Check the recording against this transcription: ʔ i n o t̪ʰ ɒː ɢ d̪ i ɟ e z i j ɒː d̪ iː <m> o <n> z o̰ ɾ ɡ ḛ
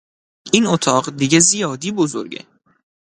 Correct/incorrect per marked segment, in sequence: incorrect: b, incorrect: none

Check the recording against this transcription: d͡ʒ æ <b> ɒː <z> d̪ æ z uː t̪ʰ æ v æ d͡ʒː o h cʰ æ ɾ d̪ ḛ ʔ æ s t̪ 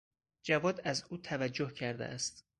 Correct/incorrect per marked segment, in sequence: incorrect: v, incorrect: none

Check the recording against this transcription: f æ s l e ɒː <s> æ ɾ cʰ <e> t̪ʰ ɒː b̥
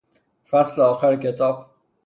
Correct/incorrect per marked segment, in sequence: incorrect: x, correct

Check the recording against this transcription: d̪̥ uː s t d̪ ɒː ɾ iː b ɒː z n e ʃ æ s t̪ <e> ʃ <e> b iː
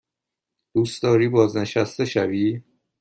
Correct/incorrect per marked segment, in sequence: correct, incorrect: æ

